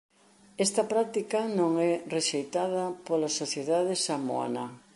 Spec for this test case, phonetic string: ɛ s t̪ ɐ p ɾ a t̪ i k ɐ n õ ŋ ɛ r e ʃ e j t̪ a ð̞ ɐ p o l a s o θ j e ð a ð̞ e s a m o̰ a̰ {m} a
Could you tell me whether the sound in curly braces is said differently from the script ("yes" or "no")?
yes